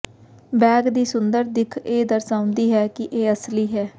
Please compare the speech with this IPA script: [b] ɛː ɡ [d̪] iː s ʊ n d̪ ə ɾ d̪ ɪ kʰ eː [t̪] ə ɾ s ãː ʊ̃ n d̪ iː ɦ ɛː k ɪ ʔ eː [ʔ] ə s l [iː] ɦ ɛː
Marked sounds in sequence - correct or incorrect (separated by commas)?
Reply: correct, correct, incorrect, incorrect, correct